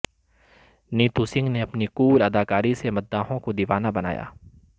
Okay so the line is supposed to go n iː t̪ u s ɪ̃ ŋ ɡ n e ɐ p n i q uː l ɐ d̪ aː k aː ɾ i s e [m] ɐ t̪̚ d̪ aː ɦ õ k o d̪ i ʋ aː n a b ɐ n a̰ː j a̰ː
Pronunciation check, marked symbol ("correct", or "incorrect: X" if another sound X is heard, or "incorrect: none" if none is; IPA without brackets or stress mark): correct